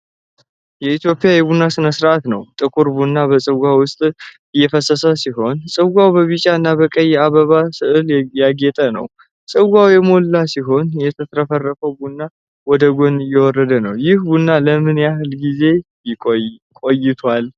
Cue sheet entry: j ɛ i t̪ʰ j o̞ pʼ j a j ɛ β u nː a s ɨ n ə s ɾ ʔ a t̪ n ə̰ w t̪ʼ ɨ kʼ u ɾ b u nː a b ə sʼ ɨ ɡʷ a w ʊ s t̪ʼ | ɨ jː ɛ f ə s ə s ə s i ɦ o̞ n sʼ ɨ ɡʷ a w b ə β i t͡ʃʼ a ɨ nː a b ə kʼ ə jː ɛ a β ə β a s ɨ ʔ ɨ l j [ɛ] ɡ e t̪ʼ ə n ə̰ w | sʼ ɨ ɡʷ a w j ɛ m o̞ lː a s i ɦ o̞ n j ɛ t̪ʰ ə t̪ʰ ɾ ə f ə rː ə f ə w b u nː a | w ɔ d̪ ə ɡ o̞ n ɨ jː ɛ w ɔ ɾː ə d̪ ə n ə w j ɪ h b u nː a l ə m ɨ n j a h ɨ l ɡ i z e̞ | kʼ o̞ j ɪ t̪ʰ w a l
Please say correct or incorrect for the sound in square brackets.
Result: incorrect